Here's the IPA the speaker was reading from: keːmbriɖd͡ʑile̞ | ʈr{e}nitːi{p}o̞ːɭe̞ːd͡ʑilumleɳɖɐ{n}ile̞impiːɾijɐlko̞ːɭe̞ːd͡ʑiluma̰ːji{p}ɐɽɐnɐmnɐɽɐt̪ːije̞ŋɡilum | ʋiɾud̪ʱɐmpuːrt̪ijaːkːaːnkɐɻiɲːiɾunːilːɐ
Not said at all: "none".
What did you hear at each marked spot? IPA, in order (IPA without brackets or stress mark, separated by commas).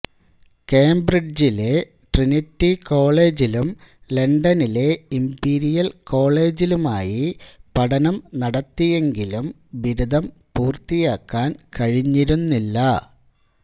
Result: i, k, n, p